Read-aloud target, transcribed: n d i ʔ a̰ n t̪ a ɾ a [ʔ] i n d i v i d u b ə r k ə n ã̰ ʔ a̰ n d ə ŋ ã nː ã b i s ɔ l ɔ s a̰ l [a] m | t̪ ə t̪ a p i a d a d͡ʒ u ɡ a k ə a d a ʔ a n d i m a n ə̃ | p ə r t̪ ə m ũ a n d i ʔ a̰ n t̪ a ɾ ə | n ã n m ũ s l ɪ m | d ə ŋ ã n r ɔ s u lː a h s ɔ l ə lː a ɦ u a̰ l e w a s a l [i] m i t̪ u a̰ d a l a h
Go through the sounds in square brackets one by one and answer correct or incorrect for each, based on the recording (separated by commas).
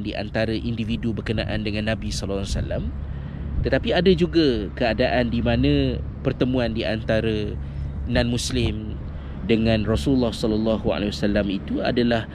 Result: correct, correct, incorrect